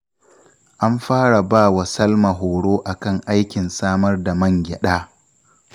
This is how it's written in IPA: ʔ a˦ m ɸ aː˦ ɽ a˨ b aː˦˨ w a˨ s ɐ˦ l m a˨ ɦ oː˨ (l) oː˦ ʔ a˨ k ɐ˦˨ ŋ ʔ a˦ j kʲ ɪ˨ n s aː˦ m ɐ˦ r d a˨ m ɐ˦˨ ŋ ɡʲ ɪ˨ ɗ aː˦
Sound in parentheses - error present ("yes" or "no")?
yes